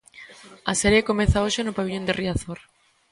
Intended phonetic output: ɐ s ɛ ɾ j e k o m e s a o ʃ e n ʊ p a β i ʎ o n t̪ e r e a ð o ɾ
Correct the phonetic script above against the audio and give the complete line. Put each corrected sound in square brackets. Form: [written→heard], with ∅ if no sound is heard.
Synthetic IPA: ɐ s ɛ ɾ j e k o m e [s→θ] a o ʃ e n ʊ p a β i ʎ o n [t̪→d̪] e r [e→i] a [ð→θ] o ɾ